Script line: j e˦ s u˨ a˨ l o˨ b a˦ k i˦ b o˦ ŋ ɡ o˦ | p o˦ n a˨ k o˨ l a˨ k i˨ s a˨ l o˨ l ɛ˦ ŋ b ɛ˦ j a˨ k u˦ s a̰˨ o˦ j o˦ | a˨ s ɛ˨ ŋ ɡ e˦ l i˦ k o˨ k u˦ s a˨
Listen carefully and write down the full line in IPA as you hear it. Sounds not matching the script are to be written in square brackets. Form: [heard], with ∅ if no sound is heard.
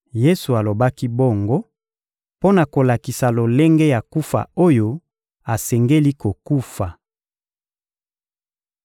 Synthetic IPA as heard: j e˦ s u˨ a˨ l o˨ b a˦ k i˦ b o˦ ŋ ɡ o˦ | p o˦ n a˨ k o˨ l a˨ k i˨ s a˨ l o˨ l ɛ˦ ŋ [ɡ] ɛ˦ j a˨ k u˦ [f] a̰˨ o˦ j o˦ | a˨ s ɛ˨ ŋ ɡ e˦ l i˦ k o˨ k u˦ [f] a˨